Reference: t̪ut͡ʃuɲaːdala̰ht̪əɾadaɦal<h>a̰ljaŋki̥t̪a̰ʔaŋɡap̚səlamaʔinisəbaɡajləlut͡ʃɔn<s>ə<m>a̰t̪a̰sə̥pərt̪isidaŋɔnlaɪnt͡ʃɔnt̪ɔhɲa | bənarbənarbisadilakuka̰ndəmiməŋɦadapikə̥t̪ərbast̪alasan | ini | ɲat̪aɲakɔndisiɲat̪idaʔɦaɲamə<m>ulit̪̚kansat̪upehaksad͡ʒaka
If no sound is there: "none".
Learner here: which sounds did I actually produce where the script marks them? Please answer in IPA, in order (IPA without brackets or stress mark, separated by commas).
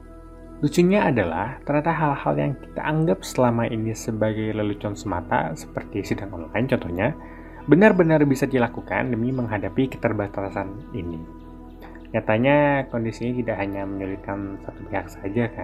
h, s, m, ɲ